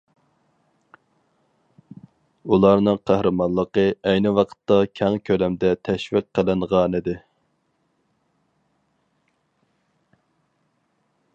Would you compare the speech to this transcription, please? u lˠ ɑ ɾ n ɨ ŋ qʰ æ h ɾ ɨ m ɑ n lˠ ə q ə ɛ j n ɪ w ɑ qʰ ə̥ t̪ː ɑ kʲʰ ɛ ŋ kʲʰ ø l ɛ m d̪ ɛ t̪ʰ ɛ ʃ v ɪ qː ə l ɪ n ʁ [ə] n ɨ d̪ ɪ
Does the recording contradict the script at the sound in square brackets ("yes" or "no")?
yes